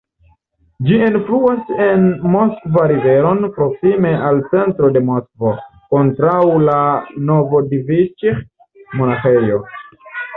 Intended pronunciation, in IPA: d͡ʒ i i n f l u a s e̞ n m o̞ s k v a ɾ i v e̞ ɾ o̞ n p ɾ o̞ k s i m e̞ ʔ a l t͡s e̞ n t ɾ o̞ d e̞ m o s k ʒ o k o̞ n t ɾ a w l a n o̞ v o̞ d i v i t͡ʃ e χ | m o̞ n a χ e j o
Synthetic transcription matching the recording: d͡ʒ i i n f l u a s e̞ n m o̞ s k v a ɾ i v e̞ ɾ o̞ n p ɾ o̞ k s i m e̞ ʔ a l t͡s e̞ n t ɾ o̞ d e̞ m o s k v o k o̞ n t ɾ a w l a n o̞ v o̞ d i v i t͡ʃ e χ | m o̞ n a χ e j o